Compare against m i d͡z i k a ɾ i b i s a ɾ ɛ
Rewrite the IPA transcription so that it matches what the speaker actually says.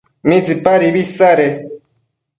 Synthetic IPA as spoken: m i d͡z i p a ɾ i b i s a ɾ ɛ